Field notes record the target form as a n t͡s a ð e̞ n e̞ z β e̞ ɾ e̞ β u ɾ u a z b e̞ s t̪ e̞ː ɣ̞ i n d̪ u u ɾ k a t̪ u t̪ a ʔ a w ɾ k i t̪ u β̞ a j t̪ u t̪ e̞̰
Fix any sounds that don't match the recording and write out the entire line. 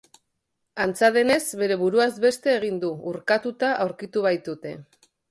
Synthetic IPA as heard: a n t͡s a ð e̞ n e̞ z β e̞ ɾ e̞ β u ɾ u a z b e̞ s t̪ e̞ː ɣ̞ i n d̪ u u ɾ k a t̪ u t̪ a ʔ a w ɾ k i t̪ u β̞ a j t̪ u t̪ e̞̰